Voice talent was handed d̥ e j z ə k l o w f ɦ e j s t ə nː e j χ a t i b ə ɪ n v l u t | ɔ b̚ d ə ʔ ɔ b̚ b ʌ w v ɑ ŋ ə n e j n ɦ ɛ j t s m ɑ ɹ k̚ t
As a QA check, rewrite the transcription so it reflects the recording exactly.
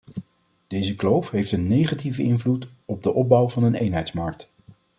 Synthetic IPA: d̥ e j z ə k l o w f ɦ e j f t ə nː e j χ a t i v ə ɪ n v l u t | ɔ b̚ d ə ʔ ɔ b̚ b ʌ w v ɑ n ə n e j n ɦ ɛ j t s m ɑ ɹ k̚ t